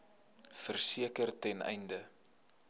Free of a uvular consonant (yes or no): yes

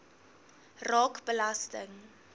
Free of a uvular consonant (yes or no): yes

